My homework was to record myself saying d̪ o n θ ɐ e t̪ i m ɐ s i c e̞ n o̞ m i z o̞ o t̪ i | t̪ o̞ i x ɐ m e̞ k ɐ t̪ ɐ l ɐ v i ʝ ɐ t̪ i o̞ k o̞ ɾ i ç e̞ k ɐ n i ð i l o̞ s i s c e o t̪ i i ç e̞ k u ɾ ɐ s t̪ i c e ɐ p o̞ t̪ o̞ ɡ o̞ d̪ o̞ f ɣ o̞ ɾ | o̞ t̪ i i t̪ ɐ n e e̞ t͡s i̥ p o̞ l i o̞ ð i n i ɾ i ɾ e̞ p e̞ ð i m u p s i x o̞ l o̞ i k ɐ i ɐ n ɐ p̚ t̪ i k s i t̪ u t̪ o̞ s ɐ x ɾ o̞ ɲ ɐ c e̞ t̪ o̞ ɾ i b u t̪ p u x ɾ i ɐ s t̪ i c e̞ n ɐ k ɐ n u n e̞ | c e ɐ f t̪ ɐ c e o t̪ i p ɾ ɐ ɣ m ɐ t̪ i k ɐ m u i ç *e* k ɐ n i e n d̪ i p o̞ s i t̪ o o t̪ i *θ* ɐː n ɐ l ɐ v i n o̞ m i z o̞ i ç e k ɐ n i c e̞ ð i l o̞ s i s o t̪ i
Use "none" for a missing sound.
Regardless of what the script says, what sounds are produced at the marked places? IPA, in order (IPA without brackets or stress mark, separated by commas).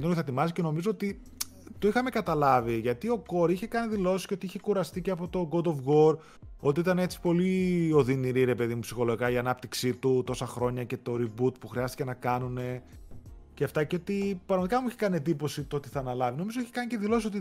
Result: e, θ